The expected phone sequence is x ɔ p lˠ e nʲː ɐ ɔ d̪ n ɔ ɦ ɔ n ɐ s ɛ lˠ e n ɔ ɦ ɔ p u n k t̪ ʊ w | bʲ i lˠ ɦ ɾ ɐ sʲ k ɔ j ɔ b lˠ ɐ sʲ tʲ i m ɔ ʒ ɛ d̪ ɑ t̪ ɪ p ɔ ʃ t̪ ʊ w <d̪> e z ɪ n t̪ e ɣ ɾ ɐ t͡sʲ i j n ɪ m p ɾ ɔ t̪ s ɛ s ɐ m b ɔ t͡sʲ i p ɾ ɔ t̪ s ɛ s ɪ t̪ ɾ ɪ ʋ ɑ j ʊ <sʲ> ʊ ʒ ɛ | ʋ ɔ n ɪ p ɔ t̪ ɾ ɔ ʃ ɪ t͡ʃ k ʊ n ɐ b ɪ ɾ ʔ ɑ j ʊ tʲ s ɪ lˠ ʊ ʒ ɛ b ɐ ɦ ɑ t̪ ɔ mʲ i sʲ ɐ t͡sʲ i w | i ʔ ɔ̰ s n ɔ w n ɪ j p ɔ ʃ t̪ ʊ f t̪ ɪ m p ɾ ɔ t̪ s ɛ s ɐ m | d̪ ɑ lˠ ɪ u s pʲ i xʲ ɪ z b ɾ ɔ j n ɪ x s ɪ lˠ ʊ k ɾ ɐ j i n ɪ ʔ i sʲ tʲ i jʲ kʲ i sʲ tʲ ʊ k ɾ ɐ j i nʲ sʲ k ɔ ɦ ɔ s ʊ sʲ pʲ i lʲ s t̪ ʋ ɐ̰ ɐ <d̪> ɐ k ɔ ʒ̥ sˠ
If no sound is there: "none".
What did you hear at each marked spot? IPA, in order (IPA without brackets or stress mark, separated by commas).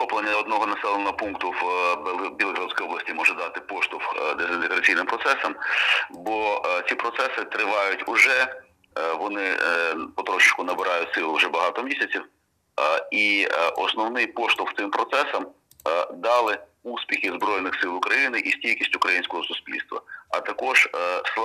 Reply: d̪, tʲ, t̪